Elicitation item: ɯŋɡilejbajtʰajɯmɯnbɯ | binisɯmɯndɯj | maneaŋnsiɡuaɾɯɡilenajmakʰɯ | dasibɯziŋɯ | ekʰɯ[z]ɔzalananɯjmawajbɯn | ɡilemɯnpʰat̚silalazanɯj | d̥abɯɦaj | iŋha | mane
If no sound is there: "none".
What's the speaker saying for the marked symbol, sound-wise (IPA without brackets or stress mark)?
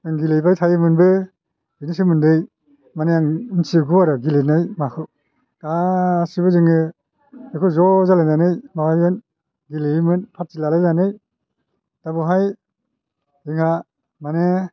z